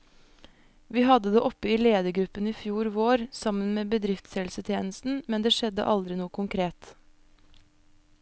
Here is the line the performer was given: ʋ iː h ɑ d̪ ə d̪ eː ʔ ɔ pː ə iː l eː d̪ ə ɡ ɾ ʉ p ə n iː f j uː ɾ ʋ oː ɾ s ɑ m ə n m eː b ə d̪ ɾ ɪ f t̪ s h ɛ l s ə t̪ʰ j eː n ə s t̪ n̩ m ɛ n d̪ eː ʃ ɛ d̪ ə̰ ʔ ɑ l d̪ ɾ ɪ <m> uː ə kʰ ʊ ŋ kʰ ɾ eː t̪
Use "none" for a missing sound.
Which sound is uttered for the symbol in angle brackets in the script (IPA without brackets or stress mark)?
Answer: n